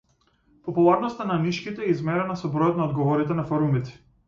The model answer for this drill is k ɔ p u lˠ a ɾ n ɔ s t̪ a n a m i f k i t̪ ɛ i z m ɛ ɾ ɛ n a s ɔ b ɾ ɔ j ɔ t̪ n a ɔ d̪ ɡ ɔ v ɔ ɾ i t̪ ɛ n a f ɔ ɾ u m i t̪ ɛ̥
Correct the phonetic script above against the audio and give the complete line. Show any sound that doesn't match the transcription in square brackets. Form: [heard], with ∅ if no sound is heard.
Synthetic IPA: [p] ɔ p u lˠ a ɾ n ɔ s t̪ a n a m i [ʃ] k i t̪ ɛ i z m ɛ ɾ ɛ n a s ɔ b ɾ ɔ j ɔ t̪ n a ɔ d̪ ɡ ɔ v ɔ ɾ i t̪ ɛ n a f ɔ ɾ u m i t̪ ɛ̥